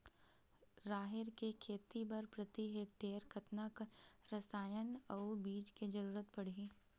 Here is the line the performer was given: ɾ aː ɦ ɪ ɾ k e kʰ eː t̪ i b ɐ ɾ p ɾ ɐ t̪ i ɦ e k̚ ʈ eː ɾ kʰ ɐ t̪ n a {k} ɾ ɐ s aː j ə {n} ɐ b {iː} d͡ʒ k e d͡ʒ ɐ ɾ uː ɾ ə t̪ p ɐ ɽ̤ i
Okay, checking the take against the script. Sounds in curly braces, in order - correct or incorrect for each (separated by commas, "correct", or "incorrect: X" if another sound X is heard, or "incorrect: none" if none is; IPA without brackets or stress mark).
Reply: correct, correct, correct